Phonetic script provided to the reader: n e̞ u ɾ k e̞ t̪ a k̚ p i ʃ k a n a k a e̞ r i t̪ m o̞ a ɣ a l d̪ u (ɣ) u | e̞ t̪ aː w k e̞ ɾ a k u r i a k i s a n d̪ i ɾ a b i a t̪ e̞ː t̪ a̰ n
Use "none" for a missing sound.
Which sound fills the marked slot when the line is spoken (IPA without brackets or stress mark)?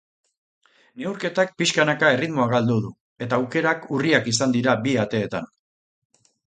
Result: ð